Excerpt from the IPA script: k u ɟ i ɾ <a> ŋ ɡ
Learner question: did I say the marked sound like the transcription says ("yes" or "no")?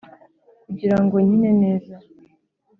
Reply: yes